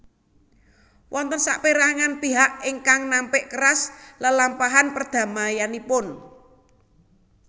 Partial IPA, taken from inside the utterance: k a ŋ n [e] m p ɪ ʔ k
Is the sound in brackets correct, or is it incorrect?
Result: incorrect